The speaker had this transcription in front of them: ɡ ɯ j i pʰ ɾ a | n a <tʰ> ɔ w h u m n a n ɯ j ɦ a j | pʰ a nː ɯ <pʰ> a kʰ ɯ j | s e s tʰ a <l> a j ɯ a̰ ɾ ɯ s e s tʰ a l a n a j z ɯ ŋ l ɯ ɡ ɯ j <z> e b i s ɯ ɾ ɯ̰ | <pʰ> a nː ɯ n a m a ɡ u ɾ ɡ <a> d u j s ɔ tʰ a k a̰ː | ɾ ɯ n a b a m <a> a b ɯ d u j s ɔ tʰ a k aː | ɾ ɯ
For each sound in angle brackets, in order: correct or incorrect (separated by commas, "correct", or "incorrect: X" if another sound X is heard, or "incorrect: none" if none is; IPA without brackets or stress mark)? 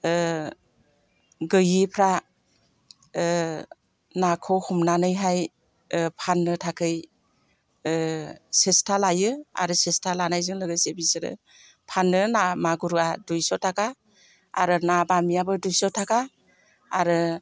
incorrect: kʰ, incorrect: tʰ, correct, incorrect: s, correct, correct, incorrect: i